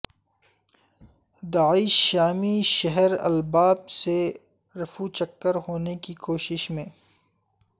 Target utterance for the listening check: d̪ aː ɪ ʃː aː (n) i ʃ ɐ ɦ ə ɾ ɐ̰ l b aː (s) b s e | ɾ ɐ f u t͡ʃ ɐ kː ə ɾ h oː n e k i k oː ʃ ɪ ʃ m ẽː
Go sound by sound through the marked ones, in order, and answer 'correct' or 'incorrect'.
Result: incorrect: m, incorrect: none

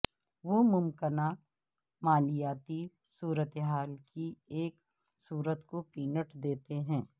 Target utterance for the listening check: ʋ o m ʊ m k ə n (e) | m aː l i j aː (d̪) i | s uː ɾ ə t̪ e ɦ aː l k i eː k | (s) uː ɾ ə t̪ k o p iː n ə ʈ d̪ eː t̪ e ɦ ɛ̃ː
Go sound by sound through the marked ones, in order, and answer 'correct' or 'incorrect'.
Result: incorrect: a, incorrect: t̪, correct

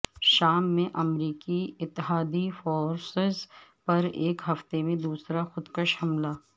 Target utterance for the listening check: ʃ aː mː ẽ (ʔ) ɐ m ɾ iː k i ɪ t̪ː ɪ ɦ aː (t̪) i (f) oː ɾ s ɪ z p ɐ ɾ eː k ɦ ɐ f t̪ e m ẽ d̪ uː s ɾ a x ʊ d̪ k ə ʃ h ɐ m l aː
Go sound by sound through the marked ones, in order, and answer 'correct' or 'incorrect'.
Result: correct, incorrect: d̪, correct

